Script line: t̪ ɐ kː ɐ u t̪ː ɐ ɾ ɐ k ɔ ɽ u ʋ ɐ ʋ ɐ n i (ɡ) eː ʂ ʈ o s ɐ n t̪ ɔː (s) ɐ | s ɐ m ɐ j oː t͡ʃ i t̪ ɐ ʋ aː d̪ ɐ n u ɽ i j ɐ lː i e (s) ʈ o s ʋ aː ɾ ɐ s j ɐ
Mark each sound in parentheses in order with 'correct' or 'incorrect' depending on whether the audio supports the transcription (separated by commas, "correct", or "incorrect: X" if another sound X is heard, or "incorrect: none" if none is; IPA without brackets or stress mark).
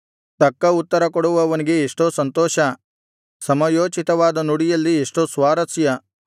correct, incorrect: ʃ, incorrect: ʂ